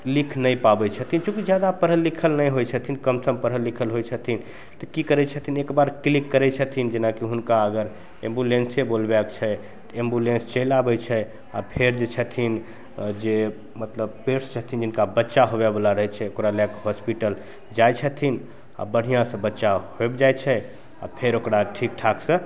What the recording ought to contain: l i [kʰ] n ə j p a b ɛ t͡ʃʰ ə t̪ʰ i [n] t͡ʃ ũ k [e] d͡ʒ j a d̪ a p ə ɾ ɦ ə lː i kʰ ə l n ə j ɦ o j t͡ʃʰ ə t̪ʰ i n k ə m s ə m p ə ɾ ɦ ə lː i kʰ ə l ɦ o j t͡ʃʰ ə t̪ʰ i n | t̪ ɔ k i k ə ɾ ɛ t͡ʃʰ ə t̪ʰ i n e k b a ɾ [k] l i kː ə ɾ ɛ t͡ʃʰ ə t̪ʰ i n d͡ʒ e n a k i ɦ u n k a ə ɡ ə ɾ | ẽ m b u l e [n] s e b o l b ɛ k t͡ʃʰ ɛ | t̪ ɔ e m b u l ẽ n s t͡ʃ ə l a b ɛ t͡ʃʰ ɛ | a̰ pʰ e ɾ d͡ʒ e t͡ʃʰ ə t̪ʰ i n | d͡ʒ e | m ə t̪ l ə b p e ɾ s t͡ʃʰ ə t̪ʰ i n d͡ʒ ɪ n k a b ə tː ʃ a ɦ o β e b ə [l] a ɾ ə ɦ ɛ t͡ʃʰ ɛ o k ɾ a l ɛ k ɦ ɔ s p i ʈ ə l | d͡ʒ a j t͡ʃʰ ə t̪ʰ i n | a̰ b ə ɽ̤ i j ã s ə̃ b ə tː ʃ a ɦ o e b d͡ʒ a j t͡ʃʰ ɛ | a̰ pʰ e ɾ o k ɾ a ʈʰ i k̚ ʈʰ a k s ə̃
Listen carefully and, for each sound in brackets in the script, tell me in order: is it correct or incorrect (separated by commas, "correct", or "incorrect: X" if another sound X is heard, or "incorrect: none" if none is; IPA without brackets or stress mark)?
correct, correct, incorrect: i, correct, correct, correct